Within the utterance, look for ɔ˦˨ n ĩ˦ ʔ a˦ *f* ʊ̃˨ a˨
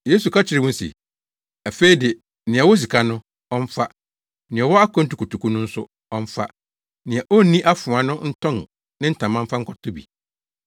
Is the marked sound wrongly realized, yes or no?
no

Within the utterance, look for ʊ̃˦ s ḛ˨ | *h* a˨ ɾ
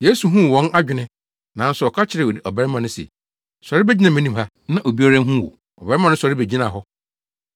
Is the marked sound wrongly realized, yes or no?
yes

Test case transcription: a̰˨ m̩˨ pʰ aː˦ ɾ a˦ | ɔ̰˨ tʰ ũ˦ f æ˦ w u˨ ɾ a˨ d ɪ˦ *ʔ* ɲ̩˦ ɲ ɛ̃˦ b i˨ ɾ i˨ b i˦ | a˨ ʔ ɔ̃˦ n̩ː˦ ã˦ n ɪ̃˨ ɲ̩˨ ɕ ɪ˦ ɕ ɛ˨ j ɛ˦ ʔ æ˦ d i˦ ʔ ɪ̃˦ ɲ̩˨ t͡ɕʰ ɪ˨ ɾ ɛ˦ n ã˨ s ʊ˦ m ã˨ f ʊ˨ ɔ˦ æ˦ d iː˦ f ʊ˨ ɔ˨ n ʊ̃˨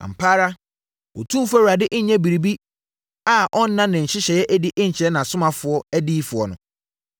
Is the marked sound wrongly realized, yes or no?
no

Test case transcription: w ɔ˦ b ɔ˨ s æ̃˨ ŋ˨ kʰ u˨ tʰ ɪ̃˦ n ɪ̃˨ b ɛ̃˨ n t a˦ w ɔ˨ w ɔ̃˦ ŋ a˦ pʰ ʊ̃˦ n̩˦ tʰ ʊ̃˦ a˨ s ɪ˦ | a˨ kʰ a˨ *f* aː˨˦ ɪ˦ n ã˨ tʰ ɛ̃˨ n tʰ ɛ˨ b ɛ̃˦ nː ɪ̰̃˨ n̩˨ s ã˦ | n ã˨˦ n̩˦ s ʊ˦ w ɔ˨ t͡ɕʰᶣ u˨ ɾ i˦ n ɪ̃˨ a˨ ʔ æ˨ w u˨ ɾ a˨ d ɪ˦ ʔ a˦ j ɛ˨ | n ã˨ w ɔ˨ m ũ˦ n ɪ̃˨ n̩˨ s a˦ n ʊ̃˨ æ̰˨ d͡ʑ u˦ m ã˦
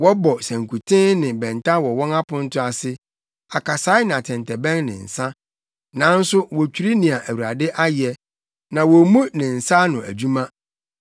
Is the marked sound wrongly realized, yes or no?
yes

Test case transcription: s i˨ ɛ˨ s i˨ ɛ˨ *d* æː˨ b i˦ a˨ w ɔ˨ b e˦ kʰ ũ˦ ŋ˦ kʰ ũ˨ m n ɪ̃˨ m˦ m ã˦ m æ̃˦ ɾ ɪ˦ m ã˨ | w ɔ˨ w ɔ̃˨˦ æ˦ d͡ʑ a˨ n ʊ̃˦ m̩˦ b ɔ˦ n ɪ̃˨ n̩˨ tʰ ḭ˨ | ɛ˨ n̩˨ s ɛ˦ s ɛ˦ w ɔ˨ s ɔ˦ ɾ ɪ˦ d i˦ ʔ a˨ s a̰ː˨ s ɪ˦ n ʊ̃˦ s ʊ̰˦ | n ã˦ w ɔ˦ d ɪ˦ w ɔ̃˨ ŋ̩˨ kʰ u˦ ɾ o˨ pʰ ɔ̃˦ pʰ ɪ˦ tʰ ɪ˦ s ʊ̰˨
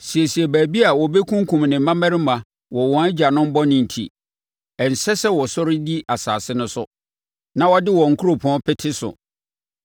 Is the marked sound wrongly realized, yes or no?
yes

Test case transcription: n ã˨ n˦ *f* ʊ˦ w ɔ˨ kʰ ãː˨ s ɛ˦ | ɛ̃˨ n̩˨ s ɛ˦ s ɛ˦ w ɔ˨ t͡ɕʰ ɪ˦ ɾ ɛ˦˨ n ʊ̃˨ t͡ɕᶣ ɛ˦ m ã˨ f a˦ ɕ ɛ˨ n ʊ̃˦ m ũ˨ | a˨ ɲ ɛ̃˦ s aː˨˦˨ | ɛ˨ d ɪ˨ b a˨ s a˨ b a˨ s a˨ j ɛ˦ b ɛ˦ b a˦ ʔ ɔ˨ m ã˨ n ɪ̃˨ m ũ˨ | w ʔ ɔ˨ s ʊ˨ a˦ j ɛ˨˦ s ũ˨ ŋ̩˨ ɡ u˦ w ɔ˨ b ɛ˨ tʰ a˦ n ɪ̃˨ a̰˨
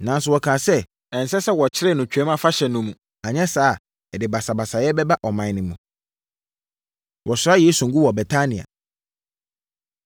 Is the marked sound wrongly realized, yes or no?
yes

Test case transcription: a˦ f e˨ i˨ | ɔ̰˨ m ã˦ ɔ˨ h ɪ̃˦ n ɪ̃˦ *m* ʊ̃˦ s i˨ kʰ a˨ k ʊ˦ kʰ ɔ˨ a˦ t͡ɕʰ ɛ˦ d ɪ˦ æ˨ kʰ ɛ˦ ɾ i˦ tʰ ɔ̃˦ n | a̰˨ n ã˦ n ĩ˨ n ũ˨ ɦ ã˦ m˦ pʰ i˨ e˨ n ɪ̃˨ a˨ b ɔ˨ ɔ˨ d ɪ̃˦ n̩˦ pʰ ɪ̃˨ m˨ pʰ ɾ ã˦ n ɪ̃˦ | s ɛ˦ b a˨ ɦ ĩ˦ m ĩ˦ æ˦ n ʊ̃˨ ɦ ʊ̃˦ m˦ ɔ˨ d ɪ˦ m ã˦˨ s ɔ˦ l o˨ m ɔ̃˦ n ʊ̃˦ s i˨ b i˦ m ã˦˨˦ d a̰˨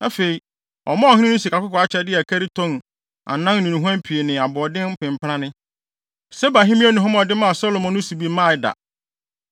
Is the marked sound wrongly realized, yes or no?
yes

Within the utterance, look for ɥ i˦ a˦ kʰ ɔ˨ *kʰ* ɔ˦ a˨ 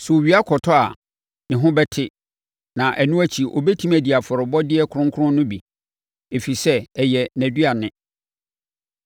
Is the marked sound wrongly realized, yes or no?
yes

